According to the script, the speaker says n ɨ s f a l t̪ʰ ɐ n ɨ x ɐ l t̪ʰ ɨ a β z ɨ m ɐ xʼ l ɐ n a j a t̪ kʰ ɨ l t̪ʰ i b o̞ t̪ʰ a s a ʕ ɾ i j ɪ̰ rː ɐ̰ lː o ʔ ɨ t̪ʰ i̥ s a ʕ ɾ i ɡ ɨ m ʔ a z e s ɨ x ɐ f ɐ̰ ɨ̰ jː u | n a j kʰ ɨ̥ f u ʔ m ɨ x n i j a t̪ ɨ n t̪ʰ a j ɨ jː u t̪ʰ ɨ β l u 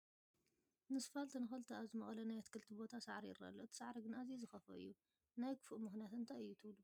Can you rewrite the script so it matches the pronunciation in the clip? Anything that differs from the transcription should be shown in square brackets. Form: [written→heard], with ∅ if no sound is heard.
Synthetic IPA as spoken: n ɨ s f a l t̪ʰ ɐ n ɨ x ɐ l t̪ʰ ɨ a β z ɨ m ɐ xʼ l ɐ n a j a t̪ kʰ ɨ l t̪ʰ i b o̞ t̪ʰ a s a ʕ ɾ i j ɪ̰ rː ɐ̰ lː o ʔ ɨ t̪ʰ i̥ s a ʕ ɾ i ɡ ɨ [m→n] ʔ a z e [s→z] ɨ x ɐ f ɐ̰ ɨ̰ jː u | n a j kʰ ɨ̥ f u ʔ m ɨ x n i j a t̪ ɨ n t̪ʰ a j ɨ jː u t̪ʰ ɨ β l u